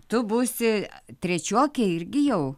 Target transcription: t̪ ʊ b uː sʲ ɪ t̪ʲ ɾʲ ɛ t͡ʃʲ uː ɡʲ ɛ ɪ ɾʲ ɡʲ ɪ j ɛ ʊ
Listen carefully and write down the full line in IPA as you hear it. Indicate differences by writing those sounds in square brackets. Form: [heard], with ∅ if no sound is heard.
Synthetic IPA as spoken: t̪ ʊ b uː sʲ ɪ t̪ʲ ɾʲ ɛ t͡ʃʲ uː [kʲ] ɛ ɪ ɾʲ ɡʲ ɪ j ɛ ʊ